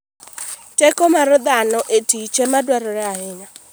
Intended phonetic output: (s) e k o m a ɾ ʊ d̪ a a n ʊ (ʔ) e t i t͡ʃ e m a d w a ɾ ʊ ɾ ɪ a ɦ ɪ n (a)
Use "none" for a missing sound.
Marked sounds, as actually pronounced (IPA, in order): t, ʔ, a

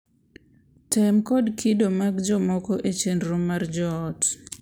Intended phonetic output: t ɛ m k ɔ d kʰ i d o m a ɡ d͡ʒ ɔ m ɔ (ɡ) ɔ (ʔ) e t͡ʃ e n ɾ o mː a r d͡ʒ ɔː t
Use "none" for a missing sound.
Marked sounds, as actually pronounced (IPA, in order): k, ʔ

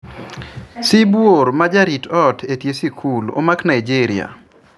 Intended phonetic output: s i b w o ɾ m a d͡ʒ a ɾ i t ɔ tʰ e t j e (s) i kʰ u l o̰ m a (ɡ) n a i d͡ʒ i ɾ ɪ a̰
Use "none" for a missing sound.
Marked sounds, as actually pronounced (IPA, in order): s, k

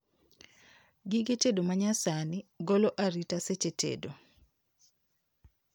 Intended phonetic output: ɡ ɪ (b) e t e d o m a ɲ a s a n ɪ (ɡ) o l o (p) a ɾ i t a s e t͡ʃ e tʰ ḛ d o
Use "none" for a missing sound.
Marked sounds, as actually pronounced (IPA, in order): ɡ, ɡ, ʔ

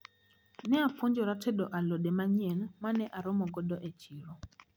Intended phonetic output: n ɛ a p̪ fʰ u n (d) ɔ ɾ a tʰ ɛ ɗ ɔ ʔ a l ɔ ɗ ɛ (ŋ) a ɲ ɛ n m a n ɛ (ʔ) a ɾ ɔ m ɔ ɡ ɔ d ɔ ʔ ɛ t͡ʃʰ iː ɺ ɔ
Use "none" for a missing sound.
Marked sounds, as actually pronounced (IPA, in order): d͡ʒ, m, ʔ

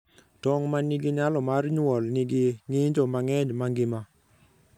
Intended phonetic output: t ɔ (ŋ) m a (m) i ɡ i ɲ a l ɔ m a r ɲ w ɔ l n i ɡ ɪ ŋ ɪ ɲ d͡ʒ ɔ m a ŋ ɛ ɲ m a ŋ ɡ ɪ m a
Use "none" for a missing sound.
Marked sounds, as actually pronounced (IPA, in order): ŋ, n

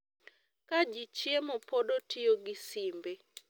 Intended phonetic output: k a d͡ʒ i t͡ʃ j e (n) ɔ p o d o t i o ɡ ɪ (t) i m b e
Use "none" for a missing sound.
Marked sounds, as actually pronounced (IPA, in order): m, s

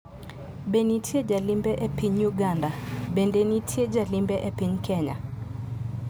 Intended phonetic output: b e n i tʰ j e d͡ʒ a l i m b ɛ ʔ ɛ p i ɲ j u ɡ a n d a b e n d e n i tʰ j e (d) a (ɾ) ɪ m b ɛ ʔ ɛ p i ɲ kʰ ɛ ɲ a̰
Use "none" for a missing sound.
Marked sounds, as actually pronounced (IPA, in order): d͡ʒ, l

